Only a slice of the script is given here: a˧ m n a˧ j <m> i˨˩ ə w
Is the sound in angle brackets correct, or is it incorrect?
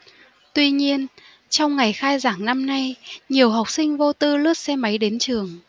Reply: incorrect